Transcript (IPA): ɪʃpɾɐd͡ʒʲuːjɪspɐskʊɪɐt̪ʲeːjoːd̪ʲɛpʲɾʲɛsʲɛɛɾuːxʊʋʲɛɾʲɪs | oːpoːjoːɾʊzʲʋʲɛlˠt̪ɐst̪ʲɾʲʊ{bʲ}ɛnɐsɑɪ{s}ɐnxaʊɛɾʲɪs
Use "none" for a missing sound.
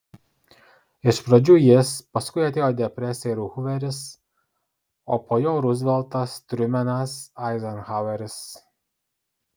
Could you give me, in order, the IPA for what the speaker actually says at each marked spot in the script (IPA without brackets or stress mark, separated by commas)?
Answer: mʲ, z